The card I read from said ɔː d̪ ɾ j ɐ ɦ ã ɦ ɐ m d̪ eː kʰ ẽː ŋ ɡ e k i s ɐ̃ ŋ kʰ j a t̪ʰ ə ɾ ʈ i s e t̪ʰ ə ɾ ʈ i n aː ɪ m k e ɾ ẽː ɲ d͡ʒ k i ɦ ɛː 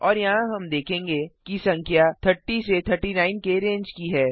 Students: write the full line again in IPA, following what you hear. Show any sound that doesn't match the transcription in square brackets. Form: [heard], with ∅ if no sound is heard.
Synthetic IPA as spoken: ɔː [∅] ɾ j ɐ ɦ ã ɦ ɐ m d̪ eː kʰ ẽː ŋ ɡ e k i s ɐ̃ ŋ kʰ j a t̪ʰ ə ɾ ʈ i s e t̪ʰ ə ɾ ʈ i n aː ɪ [n] k e ɾ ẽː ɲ d͡ʒ k i ɦ ɛː